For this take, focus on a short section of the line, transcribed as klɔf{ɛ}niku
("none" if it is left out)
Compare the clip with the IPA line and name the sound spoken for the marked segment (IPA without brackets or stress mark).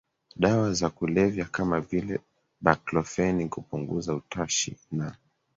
ɛ